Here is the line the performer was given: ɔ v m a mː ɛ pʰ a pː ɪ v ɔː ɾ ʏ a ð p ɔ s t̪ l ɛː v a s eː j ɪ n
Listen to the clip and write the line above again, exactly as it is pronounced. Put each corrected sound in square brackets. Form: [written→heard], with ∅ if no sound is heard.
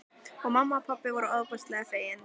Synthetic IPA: ɔ [v→ɣ] m a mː [ɛ→a] pʰ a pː ɪ v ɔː ɾ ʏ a ð p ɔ s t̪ l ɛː [v→ɣ] a [s→f] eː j ɪ n